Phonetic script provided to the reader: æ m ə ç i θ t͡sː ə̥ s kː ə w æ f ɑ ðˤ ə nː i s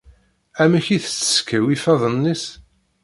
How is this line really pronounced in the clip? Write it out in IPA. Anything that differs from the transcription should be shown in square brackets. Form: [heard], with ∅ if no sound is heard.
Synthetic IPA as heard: æ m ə ç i θ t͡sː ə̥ s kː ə w [i] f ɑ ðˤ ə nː i s